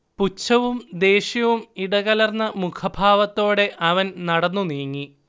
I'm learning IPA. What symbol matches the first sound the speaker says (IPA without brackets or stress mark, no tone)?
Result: p